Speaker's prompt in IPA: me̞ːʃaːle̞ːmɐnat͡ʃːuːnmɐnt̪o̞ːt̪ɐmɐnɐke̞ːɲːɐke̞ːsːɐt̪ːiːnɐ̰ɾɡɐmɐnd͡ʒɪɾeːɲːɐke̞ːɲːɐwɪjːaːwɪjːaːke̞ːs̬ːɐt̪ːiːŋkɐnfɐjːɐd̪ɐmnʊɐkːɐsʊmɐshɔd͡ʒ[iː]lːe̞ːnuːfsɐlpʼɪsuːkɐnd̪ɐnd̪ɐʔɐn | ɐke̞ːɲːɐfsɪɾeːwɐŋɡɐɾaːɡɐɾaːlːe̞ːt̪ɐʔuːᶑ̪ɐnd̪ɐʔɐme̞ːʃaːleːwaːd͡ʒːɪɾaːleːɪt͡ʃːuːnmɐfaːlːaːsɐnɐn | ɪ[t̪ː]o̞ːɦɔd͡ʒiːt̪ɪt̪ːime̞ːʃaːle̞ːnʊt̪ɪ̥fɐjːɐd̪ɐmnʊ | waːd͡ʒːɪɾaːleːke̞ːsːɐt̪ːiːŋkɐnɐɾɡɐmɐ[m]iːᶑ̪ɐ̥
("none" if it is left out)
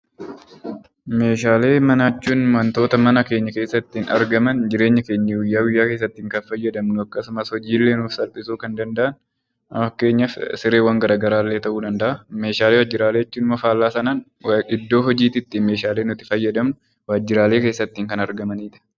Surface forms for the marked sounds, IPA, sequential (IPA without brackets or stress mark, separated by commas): iː, d̪ː, n